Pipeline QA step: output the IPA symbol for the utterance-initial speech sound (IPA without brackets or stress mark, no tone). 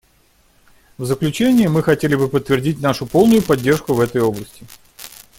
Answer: v